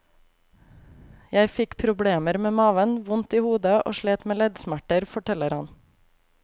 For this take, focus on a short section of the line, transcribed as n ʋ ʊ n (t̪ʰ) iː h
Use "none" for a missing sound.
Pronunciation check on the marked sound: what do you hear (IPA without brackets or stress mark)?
t̪